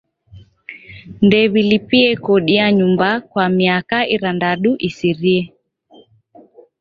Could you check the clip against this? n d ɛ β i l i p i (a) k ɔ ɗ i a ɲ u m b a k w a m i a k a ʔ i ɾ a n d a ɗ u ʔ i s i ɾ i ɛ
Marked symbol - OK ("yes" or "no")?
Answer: no